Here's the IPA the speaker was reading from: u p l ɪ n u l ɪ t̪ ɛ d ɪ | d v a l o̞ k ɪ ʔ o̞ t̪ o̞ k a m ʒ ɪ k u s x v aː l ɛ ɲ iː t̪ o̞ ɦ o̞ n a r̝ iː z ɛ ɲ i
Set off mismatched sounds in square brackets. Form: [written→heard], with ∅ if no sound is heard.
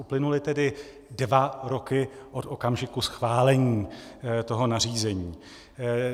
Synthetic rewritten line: u p l ɪ n u l ɪ t̪ ɛ d ɪ | d v a [l→ɾ] o̞ k ɪ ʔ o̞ t̪ o̞ k a m ʒ ɪ k u s x v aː l ɛ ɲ iː t̪ o̞ ɦ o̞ n a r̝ iː z ɛ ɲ [i→iː]